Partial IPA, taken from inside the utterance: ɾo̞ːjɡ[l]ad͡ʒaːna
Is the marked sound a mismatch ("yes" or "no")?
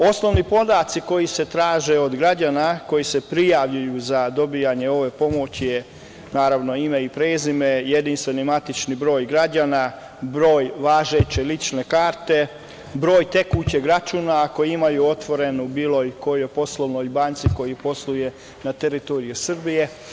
yes